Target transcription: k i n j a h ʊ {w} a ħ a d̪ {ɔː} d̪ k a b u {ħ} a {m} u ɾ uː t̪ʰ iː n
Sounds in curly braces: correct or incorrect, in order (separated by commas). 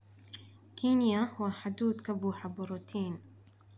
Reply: correct, incorrect, correct, incorrect